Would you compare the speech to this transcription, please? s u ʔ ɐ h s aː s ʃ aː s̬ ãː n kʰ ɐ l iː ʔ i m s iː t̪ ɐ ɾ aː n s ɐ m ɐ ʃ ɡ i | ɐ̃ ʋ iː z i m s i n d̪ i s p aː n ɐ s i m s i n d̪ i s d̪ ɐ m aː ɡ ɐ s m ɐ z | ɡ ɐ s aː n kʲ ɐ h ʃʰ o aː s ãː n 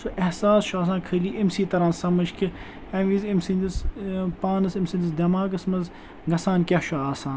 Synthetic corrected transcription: s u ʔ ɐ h s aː s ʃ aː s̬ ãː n kʰ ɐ l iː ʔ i m s iː t̪ ɐ ɾ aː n s ɐ m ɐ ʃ k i | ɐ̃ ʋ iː z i m s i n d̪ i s p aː n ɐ s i m s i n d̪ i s d̪ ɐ m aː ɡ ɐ s m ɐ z | ɡ ɐ s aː n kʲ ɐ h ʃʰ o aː s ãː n